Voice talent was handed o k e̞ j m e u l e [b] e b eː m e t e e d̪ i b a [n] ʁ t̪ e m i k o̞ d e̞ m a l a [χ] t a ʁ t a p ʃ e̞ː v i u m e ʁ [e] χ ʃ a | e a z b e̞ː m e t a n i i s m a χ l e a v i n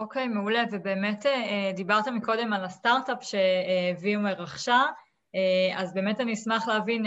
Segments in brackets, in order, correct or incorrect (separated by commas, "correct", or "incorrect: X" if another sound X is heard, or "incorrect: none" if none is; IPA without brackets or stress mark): incorrect: v, incorrect: none, incorrect: s, incorrect: a